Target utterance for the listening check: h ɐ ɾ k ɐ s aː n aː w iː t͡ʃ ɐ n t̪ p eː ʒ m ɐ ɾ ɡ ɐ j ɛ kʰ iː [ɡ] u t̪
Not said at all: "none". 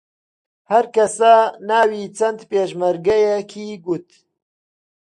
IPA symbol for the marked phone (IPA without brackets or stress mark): ɡ